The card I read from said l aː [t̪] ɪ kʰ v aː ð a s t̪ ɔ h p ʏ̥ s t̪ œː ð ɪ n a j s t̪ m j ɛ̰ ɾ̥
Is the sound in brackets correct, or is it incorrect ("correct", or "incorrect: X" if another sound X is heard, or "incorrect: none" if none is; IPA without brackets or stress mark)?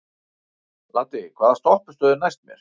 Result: correct